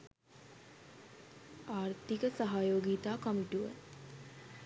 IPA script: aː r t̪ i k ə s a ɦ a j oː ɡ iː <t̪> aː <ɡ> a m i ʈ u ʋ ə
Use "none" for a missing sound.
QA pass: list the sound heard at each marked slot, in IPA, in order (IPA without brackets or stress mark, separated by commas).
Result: t̪, k